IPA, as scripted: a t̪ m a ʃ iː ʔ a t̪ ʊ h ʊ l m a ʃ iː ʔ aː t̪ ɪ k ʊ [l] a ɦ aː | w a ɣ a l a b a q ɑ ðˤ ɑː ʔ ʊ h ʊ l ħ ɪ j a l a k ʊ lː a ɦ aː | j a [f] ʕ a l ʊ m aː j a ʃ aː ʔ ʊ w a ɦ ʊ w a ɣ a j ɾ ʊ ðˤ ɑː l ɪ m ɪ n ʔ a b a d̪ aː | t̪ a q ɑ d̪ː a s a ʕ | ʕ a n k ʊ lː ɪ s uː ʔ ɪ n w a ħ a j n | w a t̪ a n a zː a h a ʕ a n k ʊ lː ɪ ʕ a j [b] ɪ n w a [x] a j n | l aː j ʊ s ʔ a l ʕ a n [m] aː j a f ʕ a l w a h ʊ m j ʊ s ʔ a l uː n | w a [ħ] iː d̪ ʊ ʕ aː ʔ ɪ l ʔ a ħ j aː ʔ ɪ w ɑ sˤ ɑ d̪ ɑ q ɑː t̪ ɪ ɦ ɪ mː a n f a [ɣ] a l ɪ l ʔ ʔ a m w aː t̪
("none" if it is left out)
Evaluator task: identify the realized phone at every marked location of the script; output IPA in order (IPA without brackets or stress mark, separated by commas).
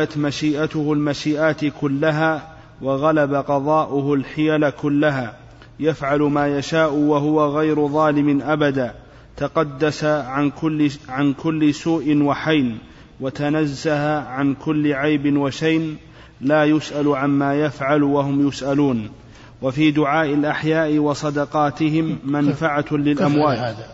lː, f, b, ʃ, m, f, ʕ